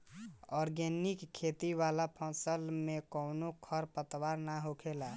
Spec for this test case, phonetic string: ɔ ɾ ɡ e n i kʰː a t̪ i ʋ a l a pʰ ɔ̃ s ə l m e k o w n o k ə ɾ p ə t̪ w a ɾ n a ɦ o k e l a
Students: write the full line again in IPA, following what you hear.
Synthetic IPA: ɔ ɾ ɡ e n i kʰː e t̪ i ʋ a l a pʰ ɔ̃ s ə l m e k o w n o kʰ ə ɾ p ə t̪ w a ɾ n a ɦ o kʰ e l a